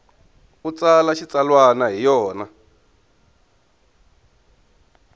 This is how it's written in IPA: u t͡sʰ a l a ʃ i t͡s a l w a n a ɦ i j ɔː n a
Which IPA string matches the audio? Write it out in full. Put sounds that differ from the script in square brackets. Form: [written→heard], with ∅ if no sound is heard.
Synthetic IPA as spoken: u [t͡sʰ→t͡s] a l a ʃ i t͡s a l w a n a ɦ i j ɔː n a